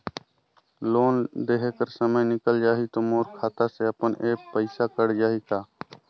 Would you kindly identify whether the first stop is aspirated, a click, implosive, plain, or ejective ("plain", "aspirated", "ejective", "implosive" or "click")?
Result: plain